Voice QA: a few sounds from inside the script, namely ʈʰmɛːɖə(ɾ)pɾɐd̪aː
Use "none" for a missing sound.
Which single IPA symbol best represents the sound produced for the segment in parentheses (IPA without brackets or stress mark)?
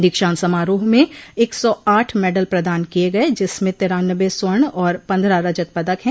l